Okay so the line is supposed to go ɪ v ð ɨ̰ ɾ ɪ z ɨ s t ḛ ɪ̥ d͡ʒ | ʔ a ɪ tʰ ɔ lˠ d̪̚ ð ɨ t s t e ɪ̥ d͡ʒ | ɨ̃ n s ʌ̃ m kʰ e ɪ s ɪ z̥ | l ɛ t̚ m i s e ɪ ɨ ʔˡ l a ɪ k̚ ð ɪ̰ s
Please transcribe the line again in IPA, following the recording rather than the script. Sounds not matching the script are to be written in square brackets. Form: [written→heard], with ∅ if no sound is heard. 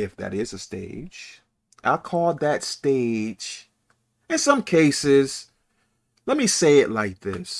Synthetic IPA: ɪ [v→f] ð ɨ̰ ɾ ɪ z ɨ s t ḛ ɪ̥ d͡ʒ | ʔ a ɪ [tʰ→kʰ] ɔ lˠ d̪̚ ð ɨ t s t e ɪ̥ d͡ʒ | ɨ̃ n s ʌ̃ m kʰ e ɪ s ɪ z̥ | l ɛ t̚ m i s e ɪ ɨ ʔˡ l a ɪ k̚ ð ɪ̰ s